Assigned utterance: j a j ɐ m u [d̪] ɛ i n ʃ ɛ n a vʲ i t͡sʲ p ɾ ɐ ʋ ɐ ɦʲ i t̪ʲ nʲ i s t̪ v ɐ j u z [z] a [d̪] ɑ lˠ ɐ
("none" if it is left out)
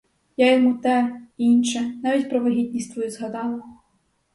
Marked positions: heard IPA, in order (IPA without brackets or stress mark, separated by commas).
t̪, ɣ, d̪